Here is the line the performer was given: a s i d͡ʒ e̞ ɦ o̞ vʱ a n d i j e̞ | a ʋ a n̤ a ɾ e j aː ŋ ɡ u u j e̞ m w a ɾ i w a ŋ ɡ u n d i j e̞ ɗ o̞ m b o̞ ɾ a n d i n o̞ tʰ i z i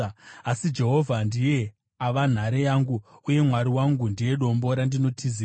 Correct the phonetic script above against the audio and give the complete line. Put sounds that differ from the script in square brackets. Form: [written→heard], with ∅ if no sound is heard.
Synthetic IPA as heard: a s i d͡ʒ e̞ ɦ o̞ vʱ a n d i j e̞ | a ʋ a n̤ a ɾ e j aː ŋ ɡ u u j e̞ m w a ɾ i w a ŋ ɡ u n d i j e̞ ɗ o̞ m b o̞ ɾ a n d i n o̞ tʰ i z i